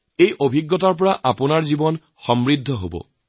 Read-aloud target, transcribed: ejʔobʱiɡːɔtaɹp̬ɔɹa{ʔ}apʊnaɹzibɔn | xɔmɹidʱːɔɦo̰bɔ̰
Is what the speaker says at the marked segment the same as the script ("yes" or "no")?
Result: yes